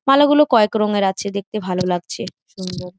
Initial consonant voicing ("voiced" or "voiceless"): voiced